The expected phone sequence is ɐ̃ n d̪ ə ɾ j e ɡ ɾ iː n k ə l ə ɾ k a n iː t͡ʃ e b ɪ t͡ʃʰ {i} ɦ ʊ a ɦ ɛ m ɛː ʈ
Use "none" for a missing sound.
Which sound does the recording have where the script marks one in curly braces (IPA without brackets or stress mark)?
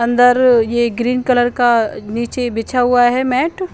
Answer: a